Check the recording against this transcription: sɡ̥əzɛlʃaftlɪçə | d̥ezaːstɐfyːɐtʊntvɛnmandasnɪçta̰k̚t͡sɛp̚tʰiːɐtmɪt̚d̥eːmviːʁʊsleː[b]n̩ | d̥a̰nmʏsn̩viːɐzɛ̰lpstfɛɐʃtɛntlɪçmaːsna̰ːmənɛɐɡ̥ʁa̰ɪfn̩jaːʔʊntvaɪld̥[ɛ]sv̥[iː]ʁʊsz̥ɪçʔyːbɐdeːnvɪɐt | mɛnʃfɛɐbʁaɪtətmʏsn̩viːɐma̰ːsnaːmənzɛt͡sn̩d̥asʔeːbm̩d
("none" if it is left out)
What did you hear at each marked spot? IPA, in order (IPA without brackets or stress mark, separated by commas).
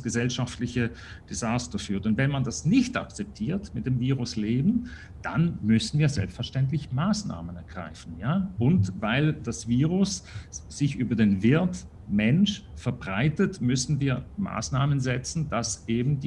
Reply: b, a, iː